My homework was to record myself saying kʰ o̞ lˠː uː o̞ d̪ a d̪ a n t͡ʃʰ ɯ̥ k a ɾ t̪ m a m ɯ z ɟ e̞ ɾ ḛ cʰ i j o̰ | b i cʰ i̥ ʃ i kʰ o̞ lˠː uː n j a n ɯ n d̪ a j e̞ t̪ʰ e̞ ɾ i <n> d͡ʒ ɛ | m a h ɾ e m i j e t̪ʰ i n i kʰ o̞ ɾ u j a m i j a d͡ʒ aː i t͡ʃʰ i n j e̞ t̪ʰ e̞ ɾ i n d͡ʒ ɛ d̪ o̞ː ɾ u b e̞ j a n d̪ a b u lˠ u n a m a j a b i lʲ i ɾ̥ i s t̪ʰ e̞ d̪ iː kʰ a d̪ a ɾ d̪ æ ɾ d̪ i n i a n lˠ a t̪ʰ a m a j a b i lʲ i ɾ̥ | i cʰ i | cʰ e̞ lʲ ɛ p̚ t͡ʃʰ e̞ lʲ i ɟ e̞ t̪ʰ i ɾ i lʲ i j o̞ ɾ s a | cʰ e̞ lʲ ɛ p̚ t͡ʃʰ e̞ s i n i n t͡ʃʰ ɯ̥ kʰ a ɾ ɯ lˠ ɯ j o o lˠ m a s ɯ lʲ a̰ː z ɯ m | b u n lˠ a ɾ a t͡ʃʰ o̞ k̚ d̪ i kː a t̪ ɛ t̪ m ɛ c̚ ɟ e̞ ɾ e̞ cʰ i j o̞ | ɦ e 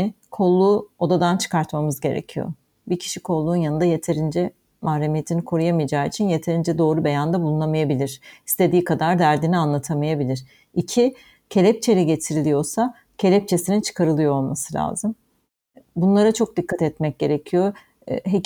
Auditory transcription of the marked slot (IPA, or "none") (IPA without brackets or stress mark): n